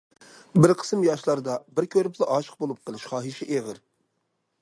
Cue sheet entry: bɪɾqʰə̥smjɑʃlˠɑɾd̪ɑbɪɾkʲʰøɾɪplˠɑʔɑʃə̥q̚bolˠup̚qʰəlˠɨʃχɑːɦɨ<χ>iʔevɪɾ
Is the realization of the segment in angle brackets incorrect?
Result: yes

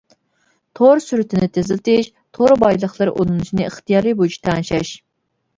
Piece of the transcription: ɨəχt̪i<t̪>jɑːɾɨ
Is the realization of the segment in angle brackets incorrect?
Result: yes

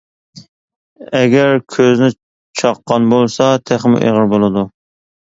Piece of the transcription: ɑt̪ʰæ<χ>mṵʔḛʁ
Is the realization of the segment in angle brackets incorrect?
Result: no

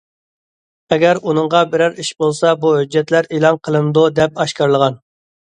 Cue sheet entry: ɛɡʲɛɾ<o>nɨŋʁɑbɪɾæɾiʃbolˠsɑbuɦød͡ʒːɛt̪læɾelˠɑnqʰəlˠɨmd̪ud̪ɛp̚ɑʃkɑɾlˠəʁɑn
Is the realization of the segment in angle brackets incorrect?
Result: yes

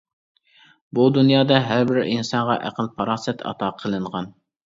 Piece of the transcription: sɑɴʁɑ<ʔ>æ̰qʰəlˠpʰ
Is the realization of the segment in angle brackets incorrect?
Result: no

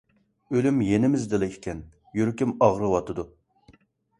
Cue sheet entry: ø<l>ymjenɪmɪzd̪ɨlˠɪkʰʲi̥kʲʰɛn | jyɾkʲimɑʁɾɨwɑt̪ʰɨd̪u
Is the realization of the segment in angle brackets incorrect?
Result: no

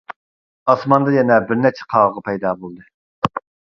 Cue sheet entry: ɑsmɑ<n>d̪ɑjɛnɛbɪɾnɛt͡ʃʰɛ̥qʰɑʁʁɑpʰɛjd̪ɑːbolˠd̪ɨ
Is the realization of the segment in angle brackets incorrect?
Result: no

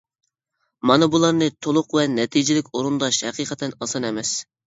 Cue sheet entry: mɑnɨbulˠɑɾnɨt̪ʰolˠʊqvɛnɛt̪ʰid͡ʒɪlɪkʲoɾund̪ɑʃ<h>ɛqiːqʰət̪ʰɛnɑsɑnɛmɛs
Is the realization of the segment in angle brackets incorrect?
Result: no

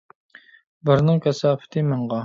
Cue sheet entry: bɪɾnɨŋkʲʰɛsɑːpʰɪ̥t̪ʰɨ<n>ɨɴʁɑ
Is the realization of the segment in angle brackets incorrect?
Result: yes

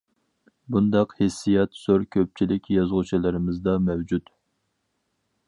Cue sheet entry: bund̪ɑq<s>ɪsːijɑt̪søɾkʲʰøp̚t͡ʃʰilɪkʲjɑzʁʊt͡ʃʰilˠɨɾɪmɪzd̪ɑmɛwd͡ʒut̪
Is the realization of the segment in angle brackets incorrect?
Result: yes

